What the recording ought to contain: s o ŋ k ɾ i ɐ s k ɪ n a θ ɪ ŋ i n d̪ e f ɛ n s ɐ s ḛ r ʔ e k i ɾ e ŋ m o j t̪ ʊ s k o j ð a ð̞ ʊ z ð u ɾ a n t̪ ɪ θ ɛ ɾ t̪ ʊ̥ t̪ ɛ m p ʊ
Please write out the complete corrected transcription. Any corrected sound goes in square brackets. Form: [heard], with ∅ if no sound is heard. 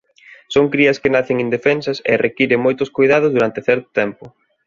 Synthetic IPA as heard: s o ŋ k ɾ i ɐ s k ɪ n a θ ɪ ŋ i n d̪ e f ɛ n s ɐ s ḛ r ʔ e k i ɾ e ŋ m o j t̪ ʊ s k o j ð a ð̞ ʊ z ð u ɾ a n t̪ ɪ θ ɛ ɾ t̪ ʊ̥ t̪ ɛ m p ʊ